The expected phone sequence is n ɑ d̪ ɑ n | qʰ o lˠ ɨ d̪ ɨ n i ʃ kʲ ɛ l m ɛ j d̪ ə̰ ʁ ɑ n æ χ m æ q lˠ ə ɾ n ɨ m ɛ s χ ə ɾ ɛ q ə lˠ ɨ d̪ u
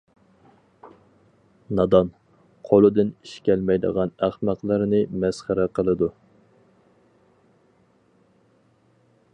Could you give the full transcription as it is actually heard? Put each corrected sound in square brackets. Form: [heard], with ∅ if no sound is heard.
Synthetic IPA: n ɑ d̪ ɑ n | qʰ o lˠ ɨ d̪ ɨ n i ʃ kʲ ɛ l m ɛ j d̪ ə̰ ʁ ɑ n æ χ m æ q lˠ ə ɾ n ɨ m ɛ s χ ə ɾ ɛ q ə lˠ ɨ d̪ u